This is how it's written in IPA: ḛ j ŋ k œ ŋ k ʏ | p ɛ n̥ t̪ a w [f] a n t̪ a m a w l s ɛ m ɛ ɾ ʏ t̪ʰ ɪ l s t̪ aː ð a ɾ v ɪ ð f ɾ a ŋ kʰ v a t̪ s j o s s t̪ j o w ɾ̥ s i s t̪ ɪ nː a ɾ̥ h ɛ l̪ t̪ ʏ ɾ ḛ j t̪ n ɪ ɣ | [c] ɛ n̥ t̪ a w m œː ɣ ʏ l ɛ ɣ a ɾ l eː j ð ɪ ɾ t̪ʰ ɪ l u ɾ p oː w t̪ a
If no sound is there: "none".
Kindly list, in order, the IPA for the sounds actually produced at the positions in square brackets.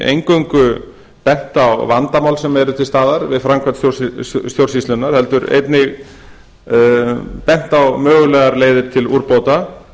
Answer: v, p

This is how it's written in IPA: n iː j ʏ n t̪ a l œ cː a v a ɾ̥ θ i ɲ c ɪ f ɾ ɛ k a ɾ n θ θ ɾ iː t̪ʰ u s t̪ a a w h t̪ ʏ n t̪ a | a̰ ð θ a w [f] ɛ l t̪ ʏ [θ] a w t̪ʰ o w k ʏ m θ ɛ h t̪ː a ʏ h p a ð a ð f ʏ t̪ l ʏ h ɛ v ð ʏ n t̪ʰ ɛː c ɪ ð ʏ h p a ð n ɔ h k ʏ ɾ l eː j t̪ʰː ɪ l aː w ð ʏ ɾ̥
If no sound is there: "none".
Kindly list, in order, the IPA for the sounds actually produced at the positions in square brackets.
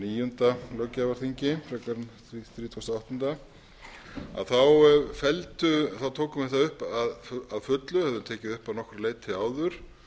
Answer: f, θ

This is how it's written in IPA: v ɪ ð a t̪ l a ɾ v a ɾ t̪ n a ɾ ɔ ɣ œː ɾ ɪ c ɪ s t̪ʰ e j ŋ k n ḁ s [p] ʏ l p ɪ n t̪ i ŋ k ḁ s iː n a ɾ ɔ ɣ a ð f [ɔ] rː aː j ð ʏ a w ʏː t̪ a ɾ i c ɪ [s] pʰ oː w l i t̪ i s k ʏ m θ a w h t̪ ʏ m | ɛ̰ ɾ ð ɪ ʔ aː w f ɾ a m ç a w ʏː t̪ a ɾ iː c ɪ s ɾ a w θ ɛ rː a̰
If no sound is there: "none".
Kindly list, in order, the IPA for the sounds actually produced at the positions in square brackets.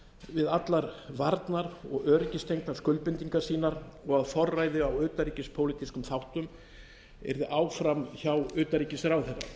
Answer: k, ɔ, s

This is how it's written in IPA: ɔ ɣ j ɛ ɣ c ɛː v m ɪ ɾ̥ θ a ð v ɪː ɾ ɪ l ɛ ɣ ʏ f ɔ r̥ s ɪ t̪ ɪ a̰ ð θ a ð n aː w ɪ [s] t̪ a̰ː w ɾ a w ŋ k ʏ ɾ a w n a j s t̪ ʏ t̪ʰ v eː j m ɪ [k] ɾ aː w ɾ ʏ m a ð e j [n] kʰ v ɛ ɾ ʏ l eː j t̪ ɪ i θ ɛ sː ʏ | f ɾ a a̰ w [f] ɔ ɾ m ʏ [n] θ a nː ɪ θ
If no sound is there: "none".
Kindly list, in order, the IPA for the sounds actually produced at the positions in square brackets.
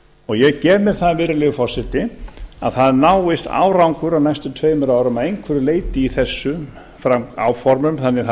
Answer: s, none, ŋ, f, m

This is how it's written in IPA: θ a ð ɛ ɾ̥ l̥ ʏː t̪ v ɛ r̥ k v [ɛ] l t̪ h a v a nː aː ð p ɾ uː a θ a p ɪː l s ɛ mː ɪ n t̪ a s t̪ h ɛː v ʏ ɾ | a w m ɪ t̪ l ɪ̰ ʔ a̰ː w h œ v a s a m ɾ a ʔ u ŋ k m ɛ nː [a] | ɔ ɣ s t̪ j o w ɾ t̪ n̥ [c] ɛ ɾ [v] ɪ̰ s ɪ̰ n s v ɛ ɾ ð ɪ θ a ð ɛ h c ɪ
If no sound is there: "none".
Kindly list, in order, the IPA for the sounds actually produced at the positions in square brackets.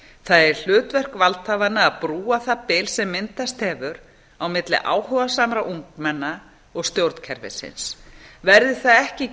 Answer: a, a, cʰ, v

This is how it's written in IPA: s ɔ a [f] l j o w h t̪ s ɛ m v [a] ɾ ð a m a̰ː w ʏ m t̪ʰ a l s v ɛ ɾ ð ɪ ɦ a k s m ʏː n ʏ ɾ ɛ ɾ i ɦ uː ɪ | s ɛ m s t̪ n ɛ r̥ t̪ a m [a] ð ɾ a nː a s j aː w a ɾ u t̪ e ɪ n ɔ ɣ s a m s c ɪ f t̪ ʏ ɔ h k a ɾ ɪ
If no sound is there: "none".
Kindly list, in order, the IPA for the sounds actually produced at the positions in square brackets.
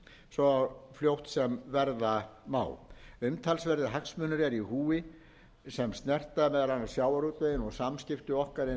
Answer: f, ɛ, ɛ

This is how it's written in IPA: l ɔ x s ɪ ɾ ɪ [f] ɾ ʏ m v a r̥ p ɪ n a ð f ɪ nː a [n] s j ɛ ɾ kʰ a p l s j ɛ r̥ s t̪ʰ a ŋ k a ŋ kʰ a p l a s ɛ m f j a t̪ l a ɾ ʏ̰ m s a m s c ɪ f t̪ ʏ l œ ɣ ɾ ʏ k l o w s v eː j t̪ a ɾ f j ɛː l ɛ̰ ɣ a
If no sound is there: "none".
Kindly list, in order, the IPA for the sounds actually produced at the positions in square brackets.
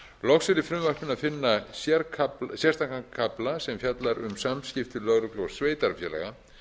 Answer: f, none

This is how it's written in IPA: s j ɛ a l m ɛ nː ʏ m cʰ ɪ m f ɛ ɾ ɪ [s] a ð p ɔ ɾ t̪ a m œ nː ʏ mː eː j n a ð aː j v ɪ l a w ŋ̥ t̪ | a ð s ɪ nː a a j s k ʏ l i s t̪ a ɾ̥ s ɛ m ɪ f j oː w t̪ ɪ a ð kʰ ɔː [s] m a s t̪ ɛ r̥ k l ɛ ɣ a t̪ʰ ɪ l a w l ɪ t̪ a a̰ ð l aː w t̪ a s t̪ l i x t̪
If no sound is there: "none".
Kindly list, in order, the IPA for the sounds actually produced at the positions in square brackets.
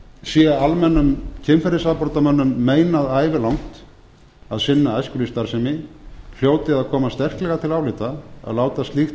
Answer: s, none

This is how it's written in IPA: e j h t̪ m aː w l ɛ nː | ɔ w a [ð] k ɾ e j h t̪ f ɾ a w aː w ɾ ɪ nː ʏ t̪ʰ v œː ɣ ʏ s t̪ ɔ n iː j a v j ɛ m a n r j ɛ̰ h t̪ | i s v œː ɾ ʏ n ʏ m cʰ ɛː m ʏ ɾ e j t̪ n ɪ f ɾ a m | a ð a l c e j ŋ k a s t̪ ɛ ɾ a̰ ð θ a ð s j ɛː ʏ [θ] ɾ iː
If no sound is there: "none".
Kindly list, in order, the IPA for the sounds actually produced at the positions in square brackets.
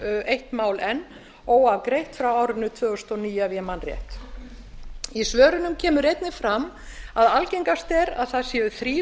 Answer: v, θ

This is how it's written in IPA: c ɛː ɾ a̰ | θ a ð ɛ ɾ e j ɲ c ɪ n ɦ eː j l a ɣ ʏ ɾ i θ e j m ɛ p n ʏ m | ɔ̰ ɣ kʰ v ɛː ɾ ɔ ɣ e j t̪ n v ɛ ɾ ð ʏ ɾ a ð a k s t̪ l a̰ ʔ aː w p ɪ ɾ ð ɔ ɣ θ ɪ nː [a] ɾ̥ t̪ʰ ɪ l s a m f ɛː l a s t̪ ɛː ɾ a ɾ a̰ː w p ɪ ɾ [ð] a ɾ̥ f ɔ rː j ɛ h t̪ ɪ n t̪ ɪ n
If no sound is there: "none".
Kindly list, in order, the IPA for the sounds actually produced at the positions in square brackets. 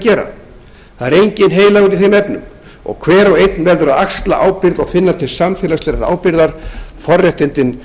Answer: a, ð

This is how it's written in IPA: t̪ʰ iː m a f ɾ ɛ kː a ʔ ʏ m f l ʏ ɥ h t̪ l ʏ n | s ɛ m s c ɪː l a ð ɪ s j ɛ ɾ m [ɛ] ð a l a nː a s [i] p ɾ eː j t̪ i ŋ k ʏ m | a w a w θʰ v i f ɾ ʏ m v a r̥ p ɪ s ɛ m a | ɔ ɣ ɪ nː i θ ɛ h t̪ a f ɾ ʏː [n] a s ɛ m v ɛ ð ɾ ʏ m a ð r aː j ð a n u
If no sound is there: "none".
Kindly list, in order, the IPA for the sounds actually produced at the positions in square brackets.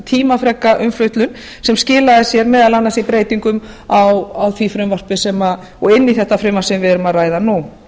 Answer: ɛː, i, m

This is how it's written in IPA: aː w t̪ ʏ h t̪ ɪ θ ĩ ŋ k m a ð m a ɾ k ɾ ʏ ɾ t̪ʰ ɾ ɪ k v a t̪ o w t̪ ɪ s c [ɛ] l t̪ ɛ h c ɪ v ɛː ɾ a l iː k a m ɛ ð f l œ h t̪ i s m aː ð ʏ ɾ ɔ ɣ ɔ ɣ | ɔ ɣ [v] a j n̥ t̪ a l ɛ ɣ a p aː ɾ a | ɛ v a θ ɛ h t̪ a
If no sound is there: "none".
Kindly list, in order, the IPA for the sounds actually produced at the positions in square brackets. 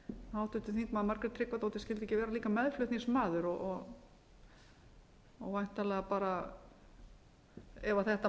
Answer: ɛ, v

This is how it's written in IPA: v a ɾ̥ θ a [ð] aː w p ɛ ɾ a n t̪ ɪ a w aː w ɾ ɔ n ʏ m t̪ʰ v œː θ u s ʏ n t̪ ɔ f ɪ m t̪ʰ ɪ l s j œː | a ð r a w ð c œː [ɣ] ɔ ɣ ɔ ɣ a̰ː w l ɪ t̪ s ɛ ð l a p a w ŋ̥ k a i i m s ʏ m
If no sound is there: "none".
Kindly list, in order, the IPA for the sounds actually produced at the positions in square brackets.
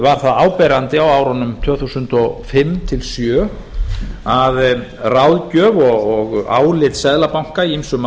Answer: ð, v

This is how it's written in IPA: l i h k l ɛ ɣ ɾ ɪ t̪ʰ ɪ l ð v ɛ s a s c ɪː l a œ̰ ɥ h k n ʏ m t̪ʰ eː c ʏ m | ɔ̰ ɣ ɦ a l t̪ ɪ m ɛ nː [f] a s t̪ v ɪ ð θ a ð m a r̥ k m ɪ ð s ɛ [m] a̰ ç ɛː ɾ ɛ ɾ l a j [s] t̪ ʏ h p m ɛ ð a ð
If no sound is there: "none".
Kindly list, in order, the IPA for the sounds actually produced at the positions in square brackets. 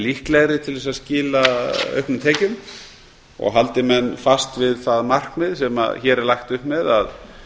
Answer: f, m, x

